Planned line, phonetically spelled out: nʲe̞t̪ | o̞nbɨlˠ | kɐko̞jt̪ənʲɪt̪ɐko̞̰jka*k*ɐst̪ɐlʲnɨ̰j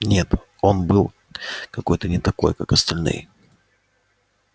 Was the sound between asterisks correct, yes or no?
yes